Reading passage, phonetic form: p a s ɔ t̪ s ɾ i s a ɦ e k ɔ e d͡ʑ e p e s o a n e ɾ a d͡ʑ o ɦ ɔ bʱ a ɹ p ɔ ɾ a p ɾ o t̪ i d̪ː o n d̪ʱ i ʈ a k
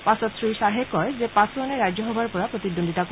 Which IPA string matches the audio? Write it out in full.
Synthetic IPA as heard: p a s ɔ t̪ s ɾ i ʃ a ɦ e k ɔ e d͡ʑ e p a s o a n e ɾ a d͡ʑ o ɦ ɔ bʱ a ɾ p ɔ ɾ a p ɾ o t̪ i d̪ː o n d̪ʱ i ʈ a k